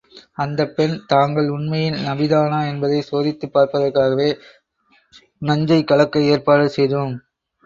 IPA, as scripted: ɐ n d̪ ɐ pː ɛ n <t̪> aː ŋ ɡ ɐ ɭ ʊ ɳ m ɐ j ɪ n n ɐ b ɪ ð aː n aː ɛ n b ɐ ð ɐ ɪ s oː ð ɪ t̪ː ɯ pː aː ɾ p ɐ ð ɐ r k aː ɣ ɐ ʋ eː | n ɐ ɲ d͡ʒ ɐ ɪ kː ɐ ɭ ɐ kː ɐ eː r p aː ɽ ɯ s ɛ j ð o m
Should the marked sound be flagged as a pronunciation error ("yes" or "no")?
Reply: no